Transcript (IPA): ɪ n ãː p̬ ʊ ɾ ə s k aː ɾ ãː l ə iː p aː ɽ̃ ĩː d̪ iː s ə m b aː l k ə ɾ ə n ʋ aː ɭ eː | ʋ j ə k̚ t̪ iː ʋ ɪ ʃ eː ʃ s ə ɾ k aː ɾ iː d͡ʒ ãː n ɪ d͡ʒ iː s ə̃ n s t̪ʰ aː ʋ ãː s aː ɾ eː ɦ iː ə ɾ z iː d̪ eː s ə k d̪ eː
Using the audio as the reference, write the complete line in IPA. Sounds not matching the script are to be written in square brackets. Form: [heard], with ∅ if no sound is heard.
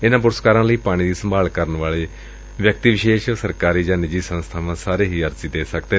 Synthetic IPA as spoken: ɪ n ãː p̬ ʊ ɾ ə s k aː ɾ ãː l ə iː p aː ɽ̃ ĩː d̪ iː s ə m b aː l k ə ɾ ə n ʋ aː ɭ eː | ʋ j ə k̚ t̪ iː ʋ ɪ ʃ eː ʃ s ə ɾ k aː ɾ iː d͡ʒ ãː n ɪ d͡ʒ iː s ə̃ n s t̪ʰ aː ʋ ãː s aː ɾ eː ɦ iː ə ɾ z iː d̪ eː s ə k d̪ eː

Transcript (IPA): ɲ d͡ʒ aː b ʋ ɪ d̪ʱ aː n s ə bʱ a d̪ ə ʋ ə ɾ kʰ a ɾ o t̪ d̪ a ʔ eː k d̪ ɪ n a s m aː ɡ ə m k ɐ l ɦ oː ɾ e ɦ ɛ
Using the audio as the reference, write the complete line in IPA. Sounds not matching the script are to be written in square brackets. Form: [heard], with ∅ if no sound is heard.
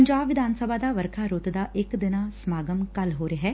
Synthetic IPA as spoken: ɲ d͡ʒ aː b ʋ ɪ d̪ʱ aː n s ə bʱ a d̪ [a] ʋ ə ɾ kʰ a ɾ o t̪ d̪ a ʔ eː k d̪ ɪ n a s m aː ɡ ə m k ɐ l ɦ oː ɾ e ɦ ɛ

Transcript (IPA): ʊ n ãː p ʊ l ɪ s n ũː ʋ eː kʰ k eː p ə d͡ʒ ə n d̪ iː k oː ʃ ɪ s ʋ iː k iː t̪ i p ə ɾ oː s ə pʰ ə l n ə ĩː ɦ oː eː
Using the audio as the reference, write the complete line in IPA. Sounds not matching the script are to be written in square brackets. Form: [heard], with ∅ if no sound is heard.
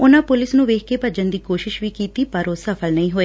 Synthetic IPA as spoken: ʊ n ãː p ʊ l ɪ s n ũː ʋ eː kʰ k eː p ə d͡ʒ ə n d̪ iː k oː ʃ ɪ [ʃ] ʋ iː k iː t̪ [iː] p ə ɾ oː s ə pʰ ə l n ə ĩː ɦ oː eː

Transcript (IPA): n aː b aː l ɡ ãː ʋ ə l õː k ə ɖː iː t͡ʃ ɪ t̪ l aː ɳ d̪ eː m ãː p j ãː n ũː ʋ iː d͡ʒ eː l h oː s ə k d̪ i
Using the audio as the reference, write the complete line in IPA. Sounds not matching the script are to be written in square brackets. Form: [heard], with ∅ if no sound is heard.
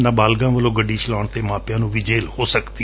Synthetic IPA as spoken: n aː b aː l ɡ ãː ʋ ə l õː [ɡ] ə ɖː iː t͡ʃ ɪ [∅] l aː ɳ [t̪] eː m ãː p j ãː n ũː ʋ iː d͡ʒ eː l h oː s ə k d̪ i

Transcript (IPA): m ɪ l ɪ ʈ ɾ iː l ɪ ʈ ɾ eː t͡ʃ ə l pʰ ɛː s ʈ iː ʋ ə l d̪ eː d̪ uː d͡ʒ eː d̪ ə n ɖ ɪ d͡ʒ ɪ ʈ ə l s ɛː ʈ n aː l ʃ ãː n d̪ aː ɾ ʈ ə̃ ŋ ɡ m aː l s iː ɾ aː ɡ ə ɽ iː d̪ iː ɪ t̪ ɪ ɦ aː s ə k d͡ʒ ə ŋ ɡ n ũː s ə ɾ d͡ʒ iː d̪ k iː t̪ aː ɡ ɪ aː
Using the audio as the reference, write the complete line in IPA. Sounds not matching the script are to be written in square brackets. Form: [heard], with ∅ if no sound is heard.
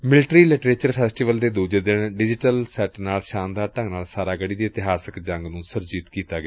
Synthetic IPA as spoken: m ɪ l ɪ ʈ ɾ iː l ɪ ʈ ɾ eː t͡ʃ ə [ɾ] pʰ ɛː s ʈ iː ʋ ə l d̪ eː d̪ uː d͡ʒ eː d̪ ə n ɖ ɪ d͡ʒ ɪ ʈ ə l s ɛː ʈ n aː l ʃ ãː n d̪ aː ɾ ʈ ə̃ ŋ ɡ [n] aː l s [aː] ɾ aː ɡ ə ɽ iː d̪ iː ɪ t̪ ɪ ɦ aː s ə k d͡ʒ ə ŋ ɡ n ũː s ə ɾ d͡ʒ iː [t̪] k iː t̪ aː ɡ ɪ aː

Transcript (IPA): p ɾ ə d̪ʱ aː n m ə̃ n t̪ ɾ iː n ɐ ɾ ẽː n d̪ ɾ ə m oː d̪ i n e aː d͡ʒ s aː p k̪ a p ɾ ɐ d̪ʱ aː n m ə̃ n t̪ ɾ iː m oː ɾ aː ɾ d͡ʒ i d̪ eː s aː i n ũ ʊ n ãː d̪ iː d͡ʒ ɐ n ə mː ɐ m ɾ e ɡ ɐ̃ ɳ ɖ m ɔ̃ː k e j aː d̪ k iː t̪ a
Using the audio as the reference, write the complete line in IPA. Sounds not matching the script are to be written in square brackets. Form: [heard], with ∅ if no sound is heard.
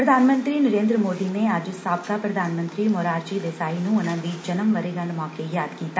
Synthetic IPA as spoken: p ɾ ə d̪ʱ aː n m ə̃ n t̪ ɾ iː n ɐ ɾ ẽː n d̪ ɾ ə m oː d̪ i n e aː d͡ʒ s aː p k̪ a p ɾ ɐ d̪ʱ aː n m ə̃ n t̪ ɾ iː m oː ɾ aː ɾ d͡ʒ i d̪ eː s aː i n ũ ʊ n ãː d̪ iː d͡ʒ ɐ n ə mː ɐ [∅] ɾ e ɡ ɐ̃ ɳ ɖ m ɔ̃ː k e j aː d̪ k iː t̪ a

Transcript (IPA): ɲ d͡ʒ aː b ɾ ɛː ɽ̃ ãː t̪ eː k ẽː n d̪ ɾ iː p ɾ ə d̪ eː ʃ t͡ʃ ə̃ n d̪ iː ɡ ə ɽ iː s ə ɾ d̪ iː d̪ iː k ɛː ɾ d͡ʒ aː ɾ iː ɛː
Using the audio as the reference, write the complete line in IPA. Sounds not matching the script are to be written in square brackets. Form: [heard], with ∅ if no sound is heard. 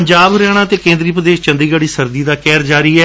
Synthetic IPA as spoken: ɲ d͡ʒ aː b ɾ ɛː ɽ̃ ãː t̪ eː k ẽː n d̪ ɾ iː p ɾ ə d̪ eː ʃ t͡ʃ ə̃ n d̪ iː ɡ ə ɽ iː s ə ɾ d̪ iː d̪ [aː] k ɛː ɾ d͡ʒ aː ɾ iː ɛː

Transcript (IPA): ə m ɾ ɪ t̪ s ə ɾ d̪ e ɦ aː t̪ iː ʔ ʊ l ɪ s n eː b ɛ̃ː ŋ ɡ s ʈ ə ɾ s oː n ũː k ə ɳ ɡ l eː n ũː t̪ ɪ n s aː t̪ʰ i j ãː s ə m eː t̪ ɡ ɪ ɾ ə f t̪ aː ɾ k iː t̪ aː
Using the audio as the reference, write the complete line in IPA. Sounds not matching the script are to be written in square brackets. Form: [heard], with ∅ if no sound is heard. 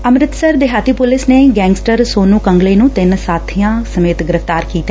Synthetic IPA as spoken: ə m ɾ ɪ t̪ s ə ɾ d̪ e ɦ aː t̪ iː [p] ʊ l ɪ s n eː [ɡ] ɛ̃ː ŋ ɡ s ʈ ə ɾ s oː n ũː k ə [ŋ] ɡ l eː n ũː t̪ ɪ n s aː t̪ʰ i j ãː s ə m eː t̪ ɡ ɪ ɾ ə f t̪ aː ɾ k iː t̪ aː

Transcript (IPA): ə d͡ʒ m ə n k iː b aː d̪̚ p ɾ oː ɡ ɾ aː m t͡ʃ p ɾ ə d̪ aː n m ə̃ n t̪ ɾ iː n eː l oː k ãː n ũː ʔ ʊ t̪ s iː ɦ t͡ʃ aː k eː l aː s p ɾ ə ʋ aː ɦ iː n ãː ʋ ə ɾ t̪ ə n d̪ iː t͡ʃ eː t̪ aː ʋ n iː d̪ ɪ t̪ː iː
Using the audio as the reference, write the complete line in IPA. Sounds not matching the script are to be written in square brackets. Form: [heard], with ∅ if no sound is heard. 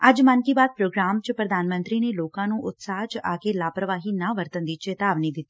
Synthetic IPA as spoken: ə d͡ʒ m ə n k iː b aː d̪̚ p ɾ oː ɡ ɾ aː m t͡ʃ p ɾ ə d̪ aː n m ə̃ n t̪ ɾ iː n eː l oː k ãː n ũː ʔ ʊ t̪ s [aː] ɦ t͡ʃ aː k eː l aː [∅] p ɾ ə ʋ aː ɦ iː n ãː ʋ ə ɾ t̪ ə n d̪ iː t͡ʃ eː t̪ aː ʋ n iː d̪ ɪ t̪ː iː

